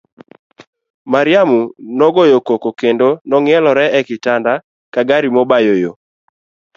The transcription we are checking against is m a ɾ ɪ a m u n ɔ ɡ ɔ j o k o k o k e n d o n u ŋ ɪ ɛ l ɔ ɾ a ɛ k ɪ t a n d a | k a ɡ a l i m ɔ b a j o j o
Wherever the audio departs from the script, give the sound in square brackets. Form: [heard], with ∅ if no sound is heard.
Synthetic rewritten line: m a ɾ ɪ a m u n ɔ ɡ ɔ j o k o k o k e n d o n [ɔ] ŋ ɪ ɛ l ɔ ɾ [ɛ] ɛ k ɪ t a n d a | k a ɡ a [ɾ] i m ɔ b a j o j o